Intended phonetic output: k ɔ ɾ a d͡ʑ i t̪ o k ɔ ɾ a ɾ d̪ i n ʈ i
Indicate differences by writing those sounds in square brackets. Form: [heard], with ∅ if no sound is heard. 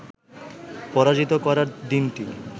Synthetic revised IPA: [p] ɔ ɾ a d͡ʑ i t̪ o k ɔ ɾ a ɾ d̪ i n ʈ i

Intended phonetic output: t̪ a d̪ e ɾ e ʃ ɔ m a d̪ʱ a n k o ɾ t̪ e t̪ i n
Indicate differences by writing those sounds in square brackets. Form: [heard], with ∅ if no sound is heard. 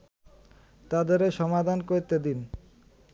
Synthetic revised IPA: t̪ a d̪ e ɾ e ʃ ɔ m a d̪ʱ a n k o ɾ t̪ e [d̪] i n

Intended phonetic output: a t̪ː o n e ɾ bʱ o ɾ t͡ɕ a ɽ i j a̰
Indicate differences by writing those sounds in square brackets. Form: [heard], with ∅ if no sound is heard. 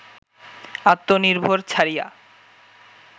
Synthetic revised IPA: a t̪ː o n [i] ɾ bʱ o ɾ [t͡ɕʰ] a [ɾ] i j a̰

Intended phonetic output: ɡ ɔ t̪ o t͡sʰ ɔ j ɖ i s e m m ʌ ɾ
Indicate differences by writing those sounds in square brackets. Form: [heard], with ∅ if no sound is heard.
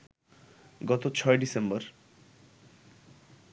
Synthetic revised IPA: ɡ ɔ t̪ o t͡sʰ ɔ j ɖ i s e m [b] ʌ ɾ

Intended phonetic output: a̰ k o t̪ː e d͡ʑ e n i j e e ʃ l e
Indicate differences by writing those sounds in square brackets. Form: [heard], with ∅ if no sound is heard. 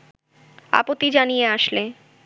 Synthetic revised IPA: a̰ [p] o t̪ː [i] d͡ʑ [a] n i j e [a] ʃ l e

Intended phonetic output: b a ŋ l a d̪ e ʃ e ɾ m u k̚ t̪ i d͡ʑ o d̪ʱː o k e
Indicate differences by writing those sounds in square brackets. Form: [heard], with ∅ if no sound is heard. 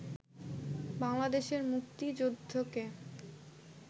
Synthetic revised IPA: b a ŋ l a d̪ e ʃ e ɾ m u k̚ t̪ i d͡ʑ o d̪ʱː o k e

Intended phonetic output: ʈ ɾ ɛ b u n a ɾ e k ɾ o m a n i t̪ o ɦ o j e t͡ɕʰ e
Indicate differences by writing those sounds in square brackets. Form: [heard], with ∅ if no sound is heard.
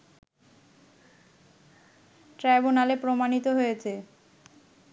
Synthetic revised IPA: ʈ ɾ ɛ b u n a [l] e [p] ɾ o m a n i t̪ o ɦ o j e t͡ɕʰ e

